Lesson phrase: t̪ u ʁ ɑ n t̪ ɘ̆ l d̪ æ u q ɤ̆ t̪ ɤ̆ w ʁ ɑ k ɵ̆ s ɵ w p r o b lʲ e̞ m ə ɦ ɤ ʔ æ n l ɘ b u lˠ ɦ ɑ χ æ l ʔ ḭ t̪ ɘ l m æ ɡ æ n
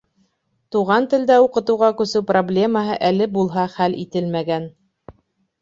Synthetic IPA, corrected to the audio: t̪ u ʁ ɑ n t̪ ɘ̆ l d̪ æ u q ɤ̆ t̪ ɤ̆ w ʁ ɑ k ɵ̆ s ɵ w p r o b lʲ e̞ m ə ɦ ɤ ʔ æ l ɘ b u lˠ ɦ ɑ χ æ l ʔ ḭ t̪ ɘ l m æ ɡ æ n